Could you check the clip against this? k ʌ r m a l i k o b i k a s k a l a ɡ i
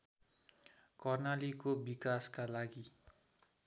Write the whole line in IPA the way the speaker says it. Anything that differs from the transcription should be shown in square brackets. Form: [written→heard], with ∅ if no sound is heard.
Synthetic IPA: k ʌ r [m→n] a l i k o b i k a s k a l a ɡ i